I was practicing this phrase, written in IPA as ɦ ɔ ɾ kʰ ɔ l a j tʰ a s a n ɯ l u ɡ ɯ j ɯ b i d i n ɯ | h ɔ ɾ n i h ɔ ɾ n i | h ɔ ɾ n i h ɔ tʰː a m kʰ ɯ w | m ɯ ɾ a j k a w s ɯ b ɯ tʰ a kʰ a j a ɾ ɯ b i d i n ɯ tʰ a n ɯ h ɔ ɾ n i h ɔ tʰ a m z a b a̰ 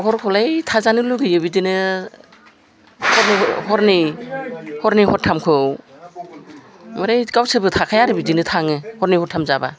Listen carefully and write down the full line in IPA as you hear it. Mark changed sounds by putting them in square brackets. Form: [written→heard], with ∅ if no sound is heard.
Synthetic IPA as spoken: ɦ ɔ ɾ kʰ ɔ l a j tʰ a [s→z] a n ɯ l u ɡ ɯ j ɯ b i d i n ɯ | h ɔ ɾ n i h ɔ ɾ n i | h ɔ ɾ n i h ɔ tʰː a m kʰ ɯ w | m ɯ ɾ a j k a w s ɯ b ɯ tʰ a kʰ a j a ɾ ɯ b i d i n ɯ tʰ a [n→ŋ] ɯ h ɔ ɾ n i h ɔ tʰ a m z a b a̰